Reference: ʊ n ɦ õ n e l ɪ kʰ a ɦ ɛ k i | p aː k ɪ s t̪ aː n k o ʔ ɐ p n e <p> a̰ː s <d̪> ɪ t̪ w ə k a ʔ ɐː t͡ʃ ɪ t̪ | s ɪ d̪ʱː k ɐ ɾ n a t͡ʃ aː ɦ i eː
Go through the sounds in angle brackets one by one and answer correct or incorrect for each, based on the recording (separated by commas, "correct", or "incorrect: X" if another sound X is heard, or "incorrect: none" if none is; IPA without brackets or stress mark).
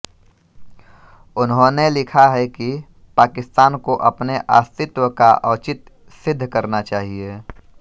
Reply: incorrect: ʔ, incorrect: t̪